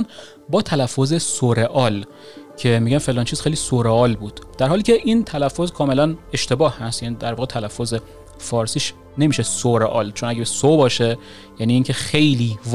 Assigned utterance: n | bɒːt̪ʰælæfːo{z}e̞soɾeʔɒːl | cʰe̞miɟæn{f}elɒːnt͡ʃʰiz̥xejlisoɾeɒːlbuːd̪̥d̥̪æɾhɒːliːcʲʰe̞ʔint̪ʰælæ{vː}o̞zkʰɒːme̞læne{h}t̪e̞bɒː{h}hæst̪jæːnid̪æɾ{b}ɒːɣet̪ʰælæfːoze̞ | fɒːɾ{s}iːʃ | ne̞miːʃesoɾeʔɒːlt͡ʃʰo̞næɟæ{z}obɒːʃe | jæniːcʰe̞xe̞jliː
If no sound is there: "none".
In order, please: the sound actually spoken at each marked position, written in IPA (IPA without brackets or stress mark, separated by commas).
z, f, fː, ʃ, h, v, s, s